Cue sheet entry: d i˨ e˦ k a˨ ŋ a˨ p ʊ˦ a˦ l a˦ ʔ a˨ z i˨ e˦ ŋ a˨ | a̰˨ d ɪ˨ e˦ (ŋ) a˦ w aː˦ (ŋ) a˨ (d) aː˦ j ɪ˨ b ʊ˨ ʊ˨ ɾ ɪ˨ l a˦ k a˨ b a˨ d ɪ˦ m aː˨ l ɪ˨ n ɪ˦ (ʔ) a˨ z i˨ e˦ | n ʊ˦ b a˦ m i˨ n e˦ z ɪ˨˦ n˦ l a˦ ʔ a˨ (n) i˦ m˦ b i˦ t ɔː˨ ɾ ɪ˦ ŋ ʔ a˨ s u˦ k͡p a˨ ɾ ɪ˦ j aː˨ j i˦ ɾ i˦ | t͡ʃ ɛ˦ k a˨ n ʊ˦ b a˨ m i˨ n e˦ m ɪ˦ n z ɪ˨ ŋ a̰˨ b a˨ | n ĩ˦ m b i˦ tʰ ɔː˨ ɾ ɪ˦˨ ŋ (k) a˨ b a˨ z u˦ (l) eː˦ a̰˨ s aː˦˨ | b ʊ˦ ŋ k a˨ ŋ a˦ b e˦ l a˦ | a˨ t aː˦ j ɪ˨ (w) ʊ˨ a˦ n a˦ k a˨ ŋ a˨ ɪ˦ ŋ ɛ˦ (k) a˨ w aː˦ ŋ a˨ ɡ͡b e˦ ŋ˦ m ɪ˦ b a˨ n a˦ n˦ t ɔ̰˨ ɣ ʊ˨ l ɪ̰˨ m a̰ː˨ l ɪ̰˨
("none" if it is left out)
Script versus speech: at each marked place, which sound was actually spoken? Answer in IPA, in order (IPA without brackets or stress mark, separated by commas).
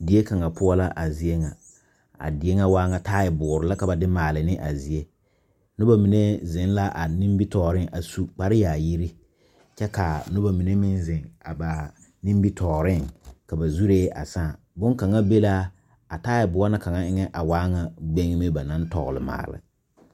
ŋ, ŋ, t, ʔ, n, k, ɾ, b, ʔ